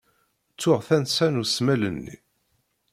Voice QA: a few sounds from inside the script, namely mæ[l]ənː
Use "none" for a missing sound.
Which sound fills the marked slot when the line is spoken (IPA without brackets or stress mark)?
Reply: l